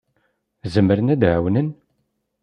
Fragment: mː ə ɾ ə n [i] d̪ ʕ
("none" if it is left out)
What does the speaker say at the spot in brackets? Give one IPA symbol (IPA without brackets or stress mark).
æ